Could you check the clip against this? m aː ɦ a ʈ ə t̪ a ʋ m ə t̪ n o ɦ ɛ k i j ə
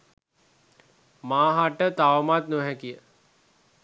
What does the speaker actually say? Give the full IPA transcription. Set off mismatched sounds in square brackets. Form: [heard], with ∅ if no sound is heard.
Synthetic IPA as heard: m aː ɦ a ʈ ə t̪ a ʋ m [a] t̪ n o ɦ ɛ k i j ə